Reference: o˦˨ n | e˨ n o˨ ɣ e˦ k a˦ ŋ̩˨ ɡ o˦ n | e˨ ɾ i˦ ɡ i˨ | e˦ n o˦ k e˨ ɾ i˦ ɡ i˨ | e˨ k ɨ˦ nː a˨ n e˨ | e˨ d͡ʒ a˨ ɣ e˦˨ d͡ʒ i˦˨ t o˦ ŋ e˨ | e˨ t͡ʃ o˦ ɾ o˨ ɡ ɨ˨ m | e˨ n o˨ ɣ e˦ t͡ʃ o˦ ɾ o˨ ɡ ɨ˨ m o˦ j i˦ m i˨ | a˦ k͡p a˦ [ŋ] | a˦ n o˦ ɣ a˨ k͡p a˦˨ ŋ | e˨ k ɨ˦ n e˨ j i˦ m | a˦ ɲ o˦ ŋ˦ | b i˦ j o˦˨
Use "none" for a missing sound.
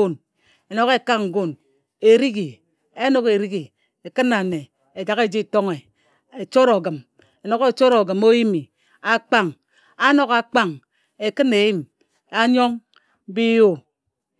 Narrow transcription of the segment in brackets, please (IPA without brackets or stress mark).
ŋ